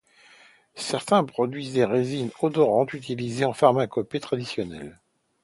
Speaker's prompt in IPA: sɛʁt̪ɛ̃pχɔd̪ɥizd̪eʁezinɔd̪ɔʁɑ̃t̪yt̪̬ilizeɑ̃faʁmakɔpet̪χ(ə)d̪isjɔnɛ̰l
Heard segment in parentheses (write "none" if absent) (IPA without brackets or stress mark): a